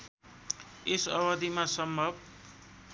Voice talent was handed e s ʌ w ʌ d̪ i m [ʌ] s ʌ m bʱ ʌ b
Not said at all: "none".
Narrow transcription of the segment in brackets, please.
a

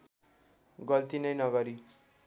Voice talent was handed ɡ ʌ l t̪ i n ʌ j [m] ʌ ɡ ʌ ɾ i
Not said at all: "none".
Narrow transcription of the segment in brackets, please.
n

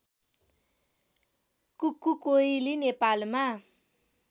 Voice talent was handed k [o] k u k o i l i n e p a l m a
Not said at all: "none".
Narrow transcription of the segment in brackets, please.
u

